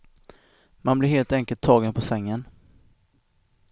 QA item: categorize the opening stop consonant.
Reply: plain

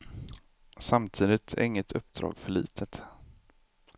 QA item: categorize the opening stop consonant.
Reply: aspirated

